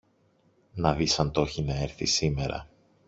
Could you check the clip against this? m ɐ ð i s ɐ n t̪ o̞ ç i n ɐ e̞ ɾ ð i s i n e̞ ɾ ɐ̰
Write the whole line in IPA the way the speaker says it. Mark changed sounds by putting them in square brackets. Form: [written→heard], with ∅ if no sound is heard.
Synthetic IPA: [m→n] ɐ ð i s ɐ n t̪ o̞ ç i n ɐ e̞ ɾ [ð→θ] i s i [n→m] e̞ ɾ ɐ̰